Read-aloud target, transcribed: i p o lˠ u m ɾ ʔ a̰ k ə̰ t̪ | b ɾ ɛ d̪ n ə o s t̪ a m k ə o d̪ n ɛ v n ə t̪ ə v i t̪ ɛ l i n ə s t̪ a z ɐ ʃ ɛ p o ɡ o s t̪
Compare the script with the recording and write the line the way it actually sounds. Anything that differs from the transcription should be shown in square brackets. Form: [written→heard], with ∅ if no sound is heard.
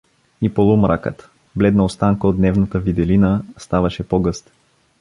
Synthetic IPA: i p o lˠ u m ɾ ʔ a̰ k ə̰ t̪ | b [ɾ→l] ɛ d̪ n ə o s t̪ a [m→ŋ] k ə o d̪ n ɛ v n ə t̪ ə v i [t̪→d̪] ɛ l i n ə s t̪ a [z→v] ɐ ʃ ɛ p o ɡ [o→ɤ] s t̪